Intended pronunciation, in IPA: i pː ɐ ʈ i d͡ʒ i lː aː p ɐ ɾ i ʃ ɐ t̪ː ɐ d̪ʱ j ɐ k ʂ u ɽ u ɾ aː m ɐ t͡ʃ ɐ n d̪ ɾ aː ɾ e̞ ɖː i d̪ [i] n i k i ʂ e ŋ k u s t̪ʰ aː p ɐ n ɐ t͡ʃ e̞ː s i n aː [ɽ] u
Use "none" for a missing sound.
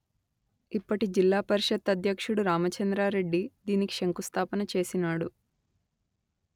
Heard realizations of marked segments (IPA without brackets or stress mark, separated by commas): iː, ɽ